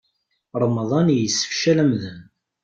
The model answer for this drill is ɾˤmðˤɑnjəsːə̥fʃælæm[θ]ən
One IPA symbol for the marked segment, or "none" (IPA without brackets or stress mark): ð